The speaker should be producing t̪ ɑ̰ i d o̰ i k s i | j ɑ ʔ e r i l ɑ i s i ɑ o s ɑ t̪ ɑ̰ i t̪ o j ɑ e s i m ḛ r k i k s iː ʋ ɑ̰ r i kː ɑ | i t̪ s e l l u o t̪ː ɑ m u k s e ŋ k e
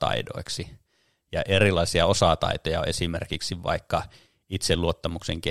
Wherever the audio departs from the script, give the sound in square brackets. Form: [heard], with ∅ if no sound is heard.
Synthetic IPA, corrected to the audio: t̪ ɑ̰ i d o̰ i k s i | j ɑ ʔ e r i l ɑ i s i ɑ o s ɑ t̪ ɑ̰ i t̪ o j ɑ e s i m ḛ r k i k s [i] ʋ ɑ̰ [∅] i kː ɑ | i t̪ s e l l u o t̪ː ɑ m u k s e ŋ k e